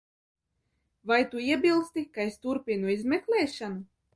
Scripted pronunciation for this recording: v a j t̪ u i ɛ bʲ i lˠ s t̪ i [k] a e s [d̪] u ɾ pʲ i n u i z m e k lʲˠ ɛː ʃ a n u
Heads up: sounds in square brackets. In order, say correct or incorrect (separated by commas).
correct, incorrect